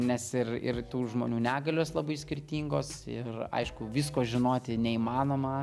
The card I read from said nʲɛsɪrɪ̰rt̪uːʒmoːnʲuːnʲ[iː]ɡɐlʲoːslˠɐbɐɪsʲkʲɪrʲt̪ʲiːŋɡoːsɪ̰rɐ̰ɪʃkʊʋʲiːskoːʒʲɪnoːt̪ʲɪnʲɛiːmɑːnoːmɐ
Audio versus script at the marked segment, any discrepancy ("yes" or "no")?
yes